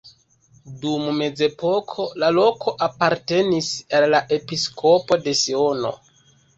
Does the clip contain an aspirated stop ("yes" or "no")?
yes